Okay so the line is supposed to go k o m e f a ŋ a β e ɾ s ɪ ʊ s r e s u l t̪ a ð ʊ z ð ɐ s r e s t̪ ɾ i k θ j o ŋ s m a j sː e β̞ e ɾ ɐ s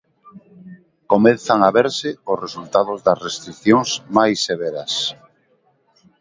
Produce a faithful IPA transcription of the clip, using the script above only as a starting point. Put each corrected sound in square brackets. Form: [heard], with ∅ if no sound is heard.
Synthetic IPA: k o m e [θ] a ŋ a β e ɾ s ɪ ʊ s r e s u l t̪ a ð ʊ z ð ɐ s r e s t̪ ɾ i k θ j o ŋ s m a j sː e β̞ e ɾ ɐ s